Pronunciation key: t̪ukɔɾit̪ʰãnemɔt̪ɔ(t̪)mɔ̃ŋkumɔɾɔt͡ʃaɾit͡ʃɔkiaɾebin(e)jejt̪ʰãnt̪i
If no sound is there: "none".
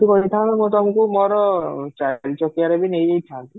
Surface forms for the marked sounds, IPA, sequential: none, e

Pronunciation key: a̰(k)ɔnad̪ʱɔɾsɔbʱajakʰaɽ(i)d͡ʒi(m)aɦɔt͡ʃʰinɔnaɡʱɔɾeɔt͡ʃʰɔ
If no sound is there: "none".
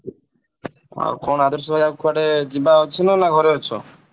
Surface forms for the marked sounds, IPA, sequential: k, e, b

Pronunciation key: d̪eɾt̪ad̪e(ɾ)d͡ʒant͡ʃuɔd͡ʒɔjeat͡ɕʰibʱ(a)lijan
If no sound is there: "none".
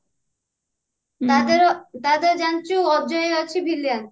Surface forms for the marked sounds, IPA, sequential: ɾ, i

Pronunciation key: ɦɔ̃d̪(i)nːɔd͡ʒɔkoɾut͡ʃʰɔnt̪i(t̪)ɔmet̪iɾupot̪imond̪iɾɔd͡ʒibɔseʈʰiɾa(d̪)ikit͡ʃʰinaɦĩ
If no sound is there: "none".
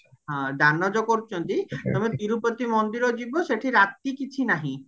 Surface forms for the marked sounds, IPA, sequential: a, t̪, t̪

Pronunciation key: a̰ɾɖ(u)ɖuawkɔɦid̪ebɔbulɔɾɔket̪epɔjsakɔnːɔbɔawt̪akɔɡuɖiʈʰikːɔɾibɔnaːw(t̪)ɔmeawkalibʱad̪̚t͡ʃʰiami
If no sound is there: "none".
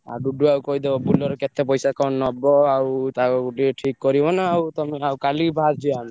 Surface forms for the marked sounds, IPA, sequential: u, t̪

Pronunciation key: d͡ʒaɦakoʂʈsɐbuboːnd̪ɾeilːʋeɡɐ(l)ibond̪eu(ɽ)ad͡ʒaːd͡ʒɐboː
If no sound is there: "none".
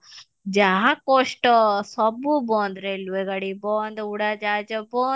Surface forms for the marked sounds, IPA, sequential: ɽ, ɽ

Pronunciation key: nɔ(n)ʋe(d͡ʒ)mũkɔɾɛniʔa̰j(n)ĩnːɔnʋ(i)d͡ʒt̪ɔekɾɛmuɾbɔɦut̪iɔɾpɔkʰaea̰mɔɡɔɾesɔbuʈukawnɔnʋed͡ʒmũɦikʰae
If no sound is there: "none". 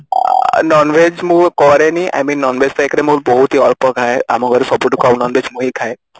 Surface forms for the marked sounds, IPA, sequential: n, d͡ʒ, m, e

